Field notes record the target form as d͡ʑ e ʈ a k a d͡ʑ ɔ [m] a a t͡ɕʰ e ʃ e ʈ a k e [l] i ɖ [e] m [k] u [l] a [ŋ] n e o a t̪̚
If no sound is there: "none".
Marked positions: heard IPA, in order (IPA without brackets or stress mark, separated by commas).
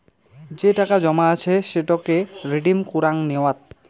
m, ɾ, i, k, ɾ, ŋ